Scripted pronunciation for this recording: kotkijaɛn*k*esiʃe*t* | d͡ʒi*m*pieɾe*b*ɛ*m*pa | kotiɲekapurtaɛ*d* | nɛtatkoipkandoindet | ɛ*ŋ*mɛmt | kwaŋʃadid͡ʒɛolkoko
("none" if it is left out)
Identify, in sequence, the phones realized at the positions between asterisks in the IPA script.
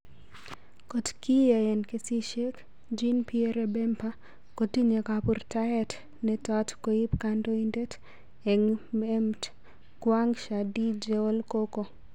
k, k, n, b, m, t, ŋ

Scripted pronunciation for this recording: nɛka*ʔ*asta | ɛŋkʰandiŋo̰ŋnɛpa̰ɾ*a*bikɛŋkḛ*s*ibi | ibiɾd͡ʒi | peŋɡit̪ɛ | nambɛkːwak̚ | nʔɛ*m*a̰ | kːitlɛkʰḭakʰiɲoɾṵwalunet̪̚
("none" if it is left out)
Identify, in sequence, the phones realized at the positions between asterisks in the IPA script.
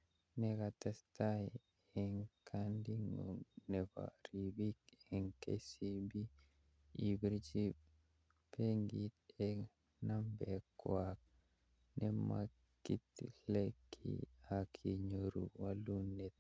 t, i, s, m

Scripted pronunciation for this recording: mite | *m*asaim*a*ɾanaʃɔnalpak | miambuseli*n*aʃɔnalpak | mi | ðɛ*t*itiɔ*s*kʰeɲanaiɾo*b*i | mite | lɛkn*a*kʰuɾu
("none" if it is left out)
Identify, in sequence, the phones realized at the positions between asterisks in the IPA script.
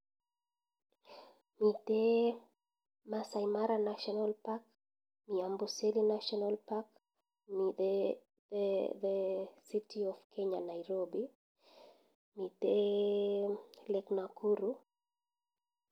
m, a, n, s, f, b, a

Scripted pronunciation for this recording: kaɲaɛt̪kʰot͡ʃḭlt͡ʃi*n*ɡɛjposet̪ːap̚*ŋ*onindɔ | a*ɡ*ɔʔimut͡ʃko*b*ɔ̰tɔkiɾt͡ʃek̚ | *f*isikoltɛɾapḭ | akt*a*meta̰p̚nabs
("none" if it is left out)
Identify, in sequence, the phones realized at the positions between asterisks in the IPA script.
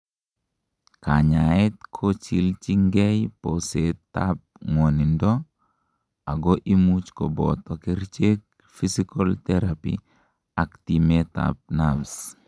ŋ, ŋ, ɡ, b, f, i

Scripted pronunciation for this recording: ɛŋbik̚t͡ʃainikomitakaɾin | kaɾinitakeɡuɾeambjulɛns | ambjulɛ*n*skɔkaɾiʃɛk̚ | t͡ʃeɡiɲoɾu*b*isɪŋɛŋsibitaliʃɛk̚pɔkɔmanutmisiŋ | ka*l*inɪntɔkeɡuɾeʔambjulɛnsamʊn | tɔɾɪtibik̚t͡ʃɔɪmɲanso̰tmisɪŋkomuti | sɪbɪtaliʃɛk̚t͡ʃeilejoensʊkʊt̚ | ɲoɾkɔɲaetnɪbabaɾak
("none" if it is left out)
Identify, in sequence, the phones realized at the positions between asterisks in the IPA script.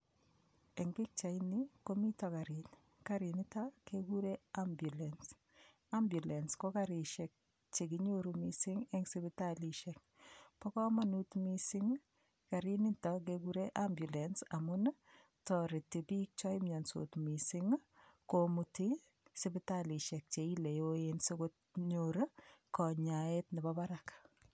n, m, ɾ

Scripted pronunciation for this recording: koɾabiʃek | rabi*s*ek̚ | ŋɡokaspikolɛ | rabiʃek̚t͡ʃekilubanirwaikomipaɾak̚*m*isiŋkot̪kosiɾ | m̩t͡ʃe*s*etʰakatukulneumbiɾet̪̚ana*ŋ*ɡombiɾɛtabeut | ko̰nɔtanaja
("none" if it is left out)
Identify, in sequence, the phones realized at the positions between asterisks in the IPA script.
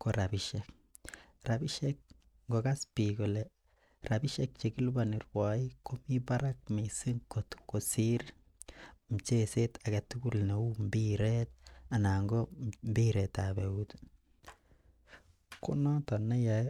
ʃ, m, s, ŋ

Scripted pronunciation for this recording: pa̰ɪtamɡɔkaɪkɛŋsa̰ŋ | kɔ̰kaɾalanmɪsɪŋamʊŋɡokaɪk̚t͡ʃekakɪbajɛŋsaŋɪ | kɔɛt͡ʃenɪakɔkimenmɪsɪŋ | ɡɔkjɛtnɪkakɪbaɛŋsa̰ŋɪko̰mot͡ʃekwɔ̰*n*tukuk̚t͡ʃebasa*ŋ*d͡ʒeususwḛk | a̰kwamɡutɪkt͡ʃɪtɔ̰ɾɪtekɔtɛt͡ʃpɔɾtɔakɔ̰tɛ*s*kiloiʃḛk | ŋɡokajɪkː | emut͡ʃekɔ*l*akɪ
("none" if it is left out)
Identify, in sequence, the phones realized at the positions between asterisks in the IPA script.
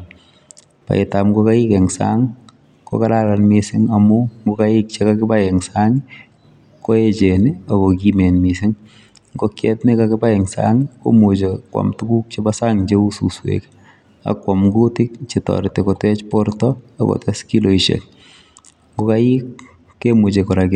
m, ŋ, s, ɾ

